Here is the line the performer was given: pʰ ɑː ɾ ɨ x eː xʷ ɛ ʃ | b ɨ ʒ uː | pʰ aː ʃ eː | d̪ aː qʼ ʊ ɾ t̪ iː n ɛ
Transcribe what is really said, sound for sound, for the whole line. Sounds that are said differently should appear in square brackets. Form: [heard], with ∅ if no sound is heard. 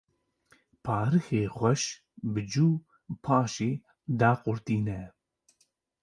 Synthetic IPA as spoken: pʰ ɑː ɾ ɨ x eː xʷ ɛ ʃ | b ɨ [d͡ʒ] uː | pʰ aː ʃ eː | d̪ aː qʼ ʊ ɾ t̪ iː n ɛ